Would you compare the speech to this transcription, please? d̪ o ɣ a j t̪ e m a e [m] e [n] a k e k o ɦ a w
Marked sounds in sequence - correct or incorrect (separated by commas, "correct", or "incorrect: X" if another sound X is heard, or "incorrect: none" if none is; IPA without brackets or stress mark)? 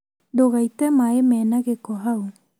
correct, correct